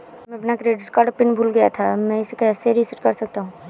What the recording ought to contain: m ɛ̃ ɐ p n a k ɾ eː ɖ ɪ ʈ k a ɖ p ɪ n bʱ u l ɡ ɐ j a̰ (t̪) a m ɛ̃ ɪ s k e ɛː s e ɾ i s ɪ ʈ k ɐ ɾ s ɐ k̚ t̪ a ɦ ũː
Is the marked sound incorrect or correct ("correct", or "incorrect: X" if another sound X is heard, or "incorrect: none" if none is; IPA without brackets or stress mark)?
incorrect: t̪ʰ